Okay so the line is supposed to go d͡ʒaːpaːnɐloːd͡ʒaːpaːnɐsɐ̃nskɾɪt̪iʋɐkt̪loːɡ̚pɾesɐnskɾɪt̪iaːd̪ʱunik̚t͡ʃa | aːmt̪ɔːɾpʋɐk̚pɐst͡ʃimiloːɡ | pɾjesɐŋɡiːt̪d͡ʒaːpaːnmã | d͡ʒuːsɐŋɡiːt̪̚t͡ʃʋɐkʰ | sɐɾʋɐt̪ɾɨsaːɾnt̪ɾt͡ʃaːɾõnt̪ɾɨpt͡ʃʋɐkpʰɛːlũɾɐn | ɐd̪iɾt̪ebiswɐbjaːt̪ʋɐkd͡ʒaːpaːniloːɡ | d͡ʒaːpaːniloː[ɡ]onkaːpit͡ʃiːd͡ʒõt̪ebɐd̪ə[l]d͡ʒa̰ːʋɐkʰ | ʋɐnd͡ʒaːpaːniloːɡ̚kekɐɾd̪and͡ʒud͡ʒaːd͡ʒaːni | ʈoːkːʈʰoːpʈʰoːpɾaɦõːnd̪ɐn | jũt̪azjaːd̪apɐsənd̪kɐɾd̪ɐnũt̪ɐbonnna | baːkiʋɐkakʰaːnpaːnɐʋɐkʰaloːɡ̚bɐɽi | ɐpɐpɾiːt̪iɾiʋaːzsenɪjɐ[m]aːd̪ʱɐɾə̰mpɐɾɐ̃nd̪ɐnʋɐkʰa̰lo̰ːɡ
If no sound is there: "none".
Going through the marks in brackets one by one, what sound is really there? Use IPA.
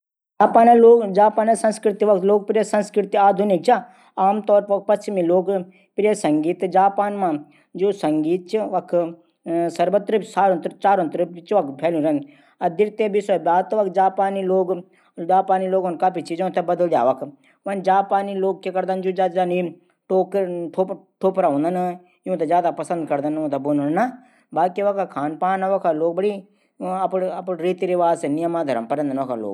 ɡ, l, m

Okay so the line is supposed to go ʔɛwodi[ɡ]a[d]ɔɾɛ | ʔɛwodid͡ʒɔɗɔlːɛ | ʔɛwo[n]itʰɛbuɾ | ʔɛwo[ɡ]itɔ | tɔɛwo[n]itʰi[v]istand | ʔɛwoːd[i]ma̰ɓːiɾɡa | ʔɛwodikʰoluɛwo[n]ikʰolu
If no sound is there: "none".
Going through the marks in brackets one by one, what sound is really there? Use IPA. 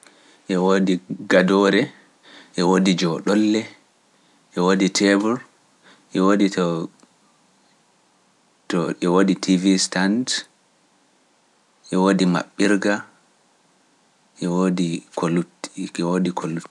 ɡ, d, d, d, d, v, i, d

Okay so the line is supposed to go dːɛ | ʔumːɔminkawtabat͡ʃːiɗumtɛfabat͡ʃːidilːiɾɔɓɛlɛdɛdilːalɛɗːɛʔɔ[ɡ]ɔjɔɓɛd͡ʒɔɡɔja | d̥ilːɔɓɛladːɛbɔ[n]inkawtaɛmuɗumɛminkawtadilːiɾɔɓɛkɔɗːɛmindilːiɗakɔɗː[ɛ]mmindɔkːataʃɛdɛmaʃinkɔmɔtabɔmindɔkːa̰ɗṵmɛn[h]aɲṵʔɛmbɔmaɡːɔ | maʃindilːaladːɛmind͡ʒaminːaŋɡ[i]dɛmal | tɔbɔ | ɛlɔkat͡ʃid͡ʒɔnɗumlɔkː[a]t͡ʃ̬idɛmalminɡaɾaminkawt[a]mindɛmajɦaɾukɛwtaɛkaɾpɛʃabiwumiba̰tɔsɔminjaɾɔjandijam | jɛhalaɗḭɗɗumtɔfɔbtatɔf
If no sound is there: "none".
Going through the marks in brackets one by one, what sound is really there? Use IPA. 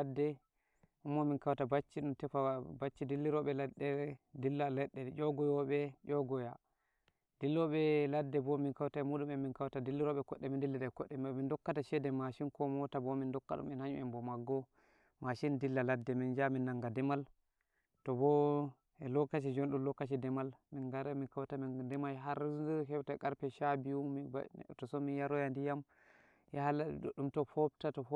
ɡ, m, ɛ, h, a, a, a

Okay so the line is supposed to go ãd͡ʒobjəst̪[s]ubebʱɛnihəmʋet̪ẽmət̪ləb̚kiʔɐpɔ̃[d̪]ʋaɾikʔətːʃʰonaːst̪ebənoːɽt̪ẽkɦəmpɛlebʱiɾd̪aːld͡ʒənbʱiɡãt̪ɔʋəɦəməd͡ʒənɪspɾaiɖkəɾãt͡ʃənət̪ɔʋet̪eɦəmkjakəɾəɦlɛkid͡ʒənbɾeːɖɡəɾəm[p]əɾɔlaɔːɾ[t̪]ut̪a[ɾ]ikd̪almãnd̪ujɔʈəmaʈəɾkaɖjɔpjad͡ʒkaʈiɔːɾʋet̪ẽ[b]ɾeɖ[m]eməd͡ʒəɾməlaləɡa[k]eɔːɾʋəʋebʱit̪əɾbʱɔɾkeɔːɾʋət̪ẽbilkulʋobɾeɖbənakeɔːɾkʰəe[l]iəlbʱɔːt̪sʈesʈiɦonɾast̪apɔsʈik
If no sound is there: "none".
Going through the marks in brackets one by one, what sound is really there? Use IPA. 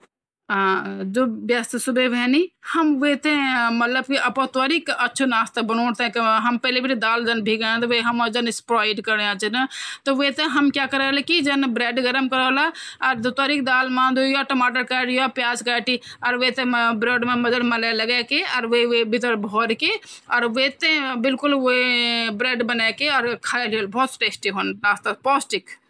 s, t̪, k, d̪, ɾ, b, m, k, l

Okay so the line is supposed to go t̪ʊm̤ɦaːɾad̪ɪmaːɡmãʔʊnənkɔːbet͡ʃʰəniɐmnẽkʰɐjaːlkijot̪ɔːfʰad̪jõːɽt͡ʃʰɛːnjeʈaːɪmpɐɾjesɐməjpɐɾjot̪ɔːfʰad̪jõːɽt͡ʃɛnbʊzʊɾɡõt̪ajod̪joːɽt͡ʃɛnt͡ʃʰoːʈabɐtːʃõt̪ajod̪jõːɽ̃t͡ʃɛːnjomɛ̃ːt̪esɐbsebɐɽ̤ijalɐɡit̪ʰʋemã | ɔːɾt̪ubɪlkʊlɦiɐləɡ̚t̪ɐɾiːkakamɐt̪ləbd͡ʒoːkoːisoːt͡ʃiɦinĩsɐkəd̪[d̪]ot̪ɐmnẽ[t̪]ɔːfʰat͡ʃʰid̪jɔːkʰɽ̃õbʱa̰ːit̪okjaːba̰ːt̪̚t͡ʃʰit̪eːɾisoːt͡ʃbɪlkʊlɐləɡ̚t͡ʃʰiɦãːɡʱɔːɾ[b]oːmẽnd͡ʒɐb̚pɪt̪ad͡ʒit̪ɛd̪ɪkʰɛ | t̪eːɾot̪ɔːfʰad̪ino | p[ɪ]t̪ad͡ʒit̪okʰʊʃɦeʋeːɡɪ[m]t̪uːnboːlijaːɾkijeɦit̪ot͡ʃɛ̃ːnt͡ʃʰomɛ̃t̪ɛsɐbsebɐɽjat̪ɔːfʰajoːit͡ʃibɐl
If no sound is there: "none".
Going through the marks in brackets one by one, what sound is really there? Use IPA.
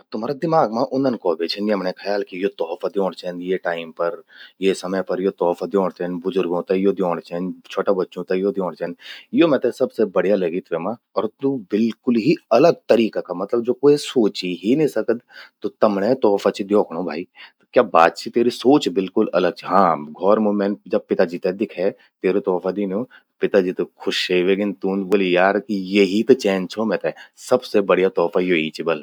t̪, t̪, m, ɪ, n

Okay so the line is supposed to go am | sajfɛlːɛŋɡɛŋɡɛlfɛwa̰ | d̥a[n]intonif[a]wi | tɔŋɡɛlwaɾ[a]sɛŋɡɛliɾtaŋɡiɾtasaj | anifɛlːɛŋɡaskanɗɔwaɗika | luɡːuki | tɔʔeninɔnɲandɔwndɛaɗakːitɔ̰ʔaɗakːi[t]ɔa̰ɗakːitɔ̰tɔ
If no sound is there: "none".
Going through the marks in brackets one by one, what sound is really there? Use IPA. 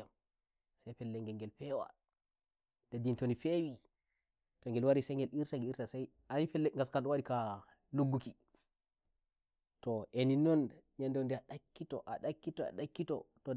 d, e, i, t

